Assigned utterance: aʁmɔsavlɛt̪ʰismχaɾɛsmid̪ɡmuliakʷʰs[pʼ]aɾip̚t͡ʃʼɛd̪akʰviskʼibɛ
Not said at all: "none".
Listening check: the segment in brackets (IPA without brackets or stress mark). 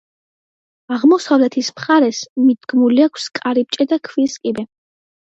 kʼ